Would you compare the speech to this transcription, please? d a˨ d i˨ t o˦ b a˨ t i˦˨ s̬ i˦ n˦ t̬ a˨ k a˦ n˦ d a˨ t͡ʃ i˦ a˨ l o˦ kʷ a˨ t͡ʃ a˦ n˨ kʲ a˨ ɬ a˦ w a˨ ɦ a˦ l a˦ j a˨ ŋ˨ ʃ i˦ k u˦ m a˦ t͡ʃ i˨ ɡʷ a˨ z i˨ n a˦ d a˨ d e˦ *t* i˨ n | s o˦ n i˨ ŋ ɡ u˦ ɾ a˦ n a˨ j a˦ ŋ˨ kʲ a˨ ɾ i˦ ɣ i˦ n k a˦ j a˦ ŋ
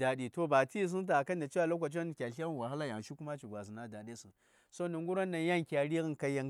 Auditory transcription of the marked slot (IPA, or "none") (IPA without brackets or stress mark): s